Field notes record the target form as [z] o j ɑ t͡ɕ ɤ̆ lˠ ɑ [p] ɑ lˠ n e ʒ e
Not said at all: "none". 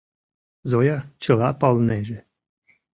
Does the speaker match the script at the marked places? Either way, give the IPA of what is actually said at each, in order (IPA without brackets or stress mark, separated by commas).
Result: z, p